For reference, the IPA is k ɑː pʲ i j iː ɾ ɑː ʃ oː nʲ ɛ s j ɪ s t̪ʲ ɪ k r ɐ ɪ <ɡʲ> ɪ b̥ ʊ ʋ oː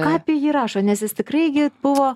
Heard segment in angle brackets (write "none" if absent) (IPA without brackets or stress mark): ɡʲ